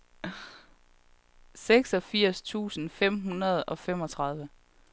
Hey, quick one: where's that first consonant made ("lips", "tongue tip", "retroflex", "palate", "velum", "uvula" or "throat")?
tongue tip